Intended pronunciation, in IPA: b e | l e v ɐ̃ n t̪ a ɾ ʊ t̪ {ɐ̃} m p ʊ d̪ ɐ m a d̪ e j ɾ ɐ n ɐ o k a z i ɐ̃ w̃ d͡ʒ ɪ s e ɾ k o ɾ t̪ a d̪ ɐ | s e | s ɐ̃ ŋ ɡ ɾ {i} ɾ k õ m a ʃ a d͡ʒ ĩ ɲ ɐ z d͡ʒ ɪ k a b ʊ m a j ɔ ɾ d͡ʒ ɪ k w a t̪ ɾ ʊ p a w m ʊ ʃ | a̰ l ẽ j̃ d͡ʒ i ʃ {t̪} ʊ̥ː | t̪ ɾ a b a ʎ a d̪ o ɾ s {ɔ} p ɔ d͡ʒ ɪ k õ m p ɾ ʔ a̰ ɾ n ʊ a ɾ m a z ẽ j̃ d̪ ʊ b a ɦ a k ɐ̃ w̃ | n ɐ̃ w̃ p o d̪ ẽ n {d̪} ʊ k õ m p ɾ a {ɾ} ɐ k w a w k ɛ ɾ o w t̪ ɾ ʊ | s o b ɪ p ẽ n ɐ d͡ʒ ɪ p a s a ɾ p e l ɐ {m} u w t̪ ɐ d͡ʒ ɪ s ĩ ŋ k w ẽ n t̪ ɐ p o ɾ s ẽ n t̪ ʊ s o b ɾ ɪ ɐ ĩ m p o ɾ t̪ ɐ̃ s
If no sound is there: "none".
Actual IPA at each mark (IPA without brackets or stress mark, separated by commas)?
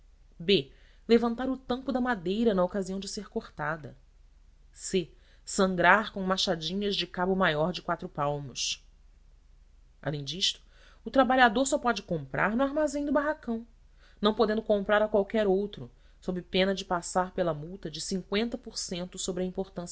ɐ̃, a, t̪, ɔ, d̪, ɾ, m